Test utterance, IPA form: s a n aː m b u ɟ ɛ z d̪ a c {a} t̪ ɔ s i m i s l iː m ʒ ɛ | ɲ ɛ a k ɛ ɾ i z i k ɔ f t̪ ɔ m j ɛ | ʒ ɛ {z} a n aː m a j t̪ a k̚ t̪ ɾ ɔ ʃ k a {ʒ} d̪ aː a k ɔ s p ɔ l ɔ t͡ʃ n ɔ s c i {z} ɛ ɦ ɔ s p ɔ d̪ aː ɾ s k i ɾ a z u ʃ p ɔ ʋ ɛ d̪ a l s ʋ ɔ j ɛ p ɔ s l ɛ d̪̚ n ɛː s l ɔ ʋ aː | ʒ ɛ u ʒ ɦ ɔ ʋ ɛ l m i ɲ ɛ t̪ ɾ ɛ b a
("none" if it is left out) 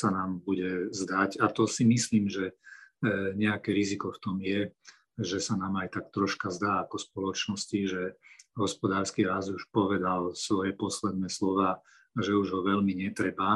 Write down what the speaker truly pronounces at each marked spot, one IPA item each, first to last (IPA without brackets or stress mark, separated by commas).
a, s, z, ʒ